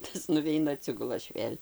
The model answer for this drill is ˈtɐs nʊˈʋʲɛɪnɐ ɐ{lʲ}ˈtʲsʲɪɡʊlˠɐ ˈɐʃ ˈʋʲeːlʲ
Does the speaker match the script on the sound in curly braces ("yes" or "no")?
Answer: no